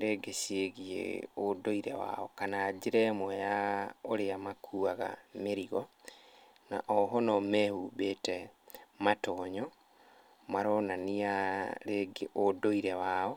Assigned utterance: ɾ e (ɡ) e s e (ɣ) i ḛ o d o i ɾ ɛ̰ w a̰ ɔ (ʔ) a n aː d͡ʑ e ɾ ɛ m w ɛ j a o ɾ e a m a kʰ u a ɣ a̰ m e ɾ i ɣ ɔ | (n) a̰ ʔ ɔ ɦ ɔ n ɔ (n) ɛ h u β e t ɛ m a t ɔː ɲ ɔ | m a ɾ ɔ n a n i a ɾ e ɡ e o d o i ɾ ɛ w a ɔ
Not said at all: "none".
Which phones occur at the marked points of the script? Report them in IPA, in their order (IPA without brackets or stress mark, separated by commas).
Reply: ɡ, ɣ, k, n, m